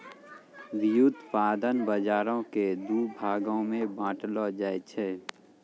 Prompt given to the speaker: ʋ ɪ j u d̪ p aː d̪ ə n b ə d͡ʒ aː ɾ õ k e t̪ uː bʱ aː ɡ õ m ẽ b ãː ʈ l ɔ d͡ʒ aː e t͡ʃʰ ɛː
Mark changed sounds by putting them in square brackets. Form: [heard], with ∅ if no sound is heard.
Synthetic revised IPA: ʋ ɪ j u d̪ p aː d̪ ə n b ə d͡ʒ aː ɾ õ k e [d̪] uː bʱ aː ɡ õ m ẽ b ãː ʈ l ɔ d͡ʒ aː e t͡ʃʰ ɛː

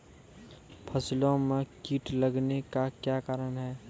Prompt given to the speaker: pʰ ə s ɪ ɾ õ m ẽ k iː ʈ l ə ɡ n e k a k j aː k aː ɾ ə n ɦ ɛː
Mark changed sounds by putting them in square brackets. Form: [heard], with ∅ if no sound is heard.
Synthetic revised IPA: pʰ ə s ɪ [l] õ m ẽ k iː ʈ l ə ɡ n e k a k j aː k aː ɾ ə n ɦ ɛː

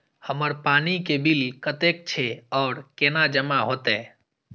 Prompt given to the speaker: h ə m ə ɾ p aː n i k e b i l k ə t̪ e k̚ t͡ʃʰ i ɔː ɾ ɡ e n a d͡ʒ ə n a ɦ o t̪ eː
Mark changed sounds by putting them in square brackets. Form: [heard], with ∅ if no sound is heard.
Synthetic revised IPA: h ə m ə ɾ p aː n i k e b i l k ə t̪ e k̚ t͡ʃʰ [e] ɔː ɾ [k] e n a d͡ʒ ə [m] a ɦ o t̪ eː

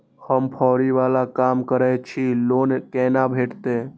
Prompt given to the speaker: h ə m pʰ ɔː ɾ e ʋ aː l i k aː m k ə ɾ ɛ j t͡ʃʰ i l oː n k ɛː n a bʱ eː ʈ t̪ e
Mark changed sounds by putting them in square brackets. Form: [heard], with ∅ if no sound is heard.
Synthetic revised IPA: h ə m pʰ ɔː ɾ [i] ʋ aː l [a] k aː m k ə ɾ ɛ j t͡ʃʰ i l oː n k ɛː n a bʱ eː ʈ t̪ e

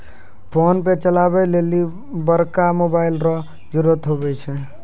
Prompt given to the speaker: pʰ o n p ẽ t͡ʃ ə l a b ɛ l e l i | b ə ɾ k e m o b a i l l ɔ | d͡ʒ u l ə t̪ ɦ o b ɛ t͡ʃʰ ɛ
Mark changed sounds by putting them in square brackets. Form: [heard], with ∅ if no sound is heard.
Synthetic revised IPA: pʰ o n p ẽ t͡ʃ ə l a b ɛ l e l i | b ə ɾ k [a] m o b a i l [ɾ] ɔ | d͡ʒ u [ɾ] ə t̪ ɦ o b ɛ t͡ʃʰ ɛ

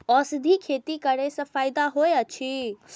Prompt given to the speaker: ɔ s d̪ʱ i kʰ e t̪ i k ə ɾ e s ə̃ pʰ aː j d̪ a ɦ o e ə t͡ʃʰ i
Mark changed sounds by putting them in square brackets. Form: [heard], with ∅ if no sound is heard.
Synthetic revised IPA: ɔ s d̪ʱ i kʰ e t̪ i k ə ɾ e s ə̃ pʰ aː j d̪ a ɦ o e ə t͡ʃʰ i

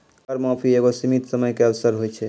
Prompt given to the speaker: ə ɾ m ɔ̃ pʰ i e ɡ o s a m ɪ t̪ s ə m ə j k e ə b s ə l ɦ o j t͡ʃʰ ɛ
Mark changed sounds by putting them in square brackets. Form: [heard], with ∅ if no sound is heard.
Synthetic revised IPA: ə ɾ m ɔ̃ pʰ i e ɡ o s [i] m [i] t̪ s ə m ə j k e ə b s ə [ɾ] ɦ o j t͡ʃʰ ɛ

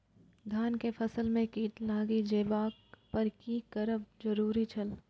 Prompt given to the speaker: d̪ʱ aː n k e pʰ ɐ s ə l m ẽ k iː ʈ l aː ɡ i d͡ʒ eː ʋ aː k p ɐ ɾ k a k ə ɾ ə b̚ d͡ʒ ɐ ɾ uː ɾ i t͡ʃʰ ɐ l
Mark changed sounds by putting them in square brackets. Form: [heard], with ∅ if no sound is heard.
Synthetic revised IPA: d̪ʱ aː n k e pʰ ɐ s ə l m ẽ k iː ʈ l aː ɡ i d͡ʒ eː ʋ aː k p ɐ ɾ k [i] k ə ɾ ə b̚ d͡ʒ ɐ ɾ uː ɾ i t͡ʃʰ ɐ l

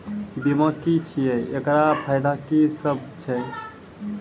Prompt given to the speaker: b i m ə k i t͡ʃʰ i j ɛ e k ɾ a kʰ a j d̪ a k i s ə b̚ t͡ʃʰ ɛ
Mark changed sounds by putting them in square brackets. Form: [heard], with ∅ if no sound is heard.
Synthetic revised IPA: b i m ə k i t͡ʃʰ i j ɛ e k ɾ a [pʰ] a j d̪ a k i s ə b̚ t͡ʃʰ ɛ

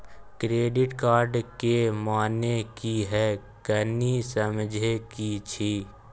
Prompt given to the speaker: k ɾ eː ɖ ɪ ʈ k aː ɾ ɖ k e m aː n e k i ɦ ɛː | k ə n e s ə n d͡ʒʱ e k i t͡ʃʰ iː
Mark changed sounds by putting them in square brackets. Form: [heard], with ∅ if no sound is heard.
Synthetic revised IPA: k ɾ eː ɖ ɪ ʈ k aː ɾ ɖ k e m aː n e k i ɦ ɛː | k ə n [i] s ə [m] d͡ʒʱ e k i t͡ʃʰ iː

